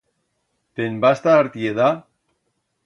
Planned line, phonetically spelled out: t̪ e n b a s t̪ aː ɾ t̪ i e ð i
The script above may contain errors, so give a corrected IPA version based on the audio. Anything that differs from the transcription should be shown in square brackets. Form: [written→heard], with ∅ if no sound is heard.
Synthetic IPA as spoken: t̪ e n b a s t̪ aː ɾ t̪ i e ð [i→a]